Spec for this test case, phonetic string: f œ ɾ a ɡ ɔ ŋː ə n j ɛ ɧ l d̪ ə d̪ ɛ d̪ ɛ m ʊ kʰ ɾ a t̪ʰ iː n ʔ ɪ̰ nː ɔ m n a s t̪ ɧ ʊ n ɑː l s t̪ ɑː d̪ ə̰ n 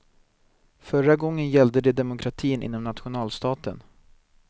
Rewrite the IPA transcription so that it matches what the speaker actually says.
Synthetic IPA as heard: f œ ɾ a ɡ ɔ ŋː ə n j ɛ l d̪ ə d̪ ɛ d̪ ɛ m ʊ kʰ ɾ a t̪ʰ iː n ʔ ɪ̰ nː ɔ m n a t̪ ɧ ʊ n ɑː l s t̪ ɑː t̪ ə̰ n